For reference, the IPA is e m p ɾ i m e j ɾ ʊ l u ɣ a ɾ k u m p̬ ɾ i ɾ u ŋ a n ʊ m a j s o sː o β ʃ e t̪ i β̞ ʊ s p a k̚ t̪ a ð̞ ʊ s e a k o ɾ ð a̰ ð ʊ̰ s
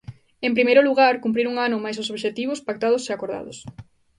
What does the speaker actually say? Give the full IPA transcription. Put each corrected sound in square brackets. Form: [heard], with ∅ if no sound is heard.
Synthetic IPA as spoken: e m p ɾ i m e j ɾ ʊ l u ɣ a ɾ k u m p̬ ɾ i ɾ u ŋ a n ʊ m a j s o [s] o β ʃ e t̪ i β̞ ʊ s p a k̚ t̪ a ð̞ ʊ s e a k o ɾ ð a̰ ð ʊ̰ s